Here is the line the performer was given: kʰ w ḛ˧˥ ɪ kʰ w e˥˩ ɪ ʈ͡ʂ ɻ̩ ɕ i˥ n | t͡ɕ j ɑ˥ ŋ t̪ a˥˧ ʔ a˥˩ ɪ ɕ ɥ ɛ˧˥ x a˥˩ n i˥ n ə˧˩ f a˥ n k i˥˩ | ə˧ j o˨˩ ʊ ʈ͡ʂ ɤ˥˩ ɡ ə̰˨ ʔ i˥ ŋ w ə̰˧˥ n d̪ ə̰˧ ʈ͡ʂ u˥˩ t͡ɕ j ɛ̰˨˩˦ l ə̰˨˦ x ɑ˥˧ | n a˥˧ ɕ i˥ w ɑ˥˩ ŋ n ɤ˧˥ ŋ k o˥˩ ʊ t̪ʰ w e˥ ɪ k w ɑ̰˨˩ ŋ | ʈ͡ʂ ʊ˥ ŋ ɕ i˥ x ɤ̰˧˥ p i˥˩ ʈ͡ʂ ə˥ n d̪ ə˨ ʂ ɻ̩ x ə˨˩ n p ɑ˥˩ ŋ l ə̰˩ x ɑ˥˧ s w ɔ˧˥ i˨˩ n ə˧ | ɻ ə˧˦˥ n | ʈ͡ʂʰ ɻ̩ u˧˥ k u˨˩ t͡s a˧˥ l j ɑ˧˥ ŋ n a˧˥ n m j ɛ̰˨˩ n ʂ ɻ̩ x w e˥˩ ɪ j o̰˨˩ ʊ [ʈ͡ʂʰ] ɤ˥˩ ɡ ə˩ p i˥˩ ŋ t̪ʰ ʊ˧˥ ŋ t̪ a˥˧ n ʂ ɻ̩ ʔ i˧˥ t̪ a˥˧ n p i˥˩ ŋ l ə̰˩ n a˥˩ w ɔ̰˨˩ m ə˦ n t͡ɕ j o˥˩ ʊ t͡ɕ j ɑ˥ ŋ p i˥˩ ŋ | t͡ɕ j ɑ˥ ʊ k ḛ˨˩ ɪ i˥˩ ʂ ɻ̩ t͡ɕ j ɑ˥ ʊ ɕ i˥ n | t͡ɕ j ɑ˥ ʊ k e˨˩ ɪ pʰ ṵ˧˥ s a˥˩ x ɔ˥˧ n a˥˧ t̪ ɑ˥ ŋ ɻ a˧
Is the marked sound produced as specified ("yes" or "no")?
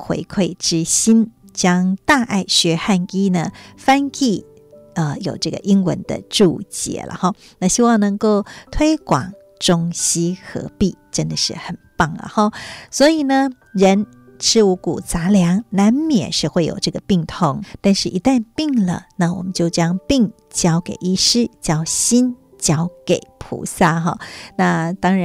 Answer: no